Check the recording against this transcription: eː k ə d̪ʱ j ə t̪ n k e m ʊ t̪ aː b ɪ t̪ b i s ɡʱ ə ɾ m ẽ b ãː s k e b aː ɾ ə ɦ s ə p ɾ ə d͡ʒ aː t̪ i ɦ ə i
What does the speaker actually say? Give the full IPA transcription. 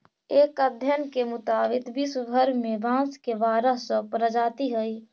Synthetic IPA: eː k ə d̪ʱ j ə n k e m ʊ t̪ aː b ɪ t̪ b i s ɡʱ ə ɾ m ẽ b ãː s k e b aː ɾ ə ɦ s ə p ɾ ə d͡ʒ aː t̪ i ɦ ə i